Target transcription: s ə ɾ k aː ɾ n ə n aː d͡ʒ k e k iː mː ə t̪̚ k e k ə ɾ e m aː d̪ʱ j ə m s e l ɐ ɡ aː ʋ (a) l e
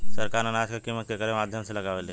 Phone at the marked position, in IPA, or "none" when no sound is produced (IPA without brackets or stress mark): e